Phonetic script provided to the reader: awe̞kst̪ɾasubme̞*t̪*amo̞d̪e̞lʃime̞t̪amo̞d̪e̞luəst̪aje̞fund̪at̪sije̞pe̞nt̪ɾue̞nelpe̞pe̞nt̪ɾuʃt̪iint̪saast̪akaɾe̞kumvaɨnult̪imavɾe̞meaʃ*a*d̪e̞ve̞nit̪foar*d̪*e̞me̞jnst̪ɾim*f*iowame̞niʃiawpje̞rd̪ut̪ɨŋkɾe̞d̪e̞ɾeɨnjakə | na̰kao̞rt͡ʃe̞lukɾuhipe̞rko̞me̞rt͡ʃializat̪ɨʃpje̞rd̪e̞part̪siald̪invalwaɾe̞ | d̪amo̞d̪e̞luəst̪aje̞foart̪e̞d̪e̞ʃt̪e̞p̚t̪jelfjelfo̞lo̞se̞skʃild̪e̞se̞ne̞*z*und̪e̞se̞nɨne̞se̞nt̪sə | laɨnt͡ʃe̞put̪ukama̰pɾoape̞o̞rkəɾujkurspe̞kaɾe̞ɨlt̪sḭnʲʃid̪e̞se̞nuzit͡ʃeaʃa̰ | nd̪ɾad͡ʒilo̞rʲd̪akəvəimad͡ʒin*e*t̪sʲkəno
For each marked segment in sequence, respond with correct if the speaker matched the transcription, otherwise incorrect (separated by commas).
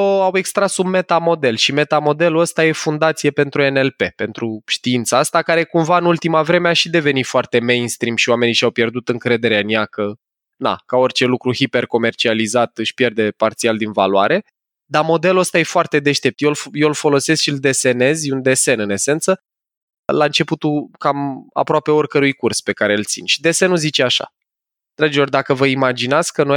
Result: correct, incorrect, incorrect, incorrect, correct, incorrect